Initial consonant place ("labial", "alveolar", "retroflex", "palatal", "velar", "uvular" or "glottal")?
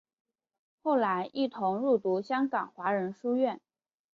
velar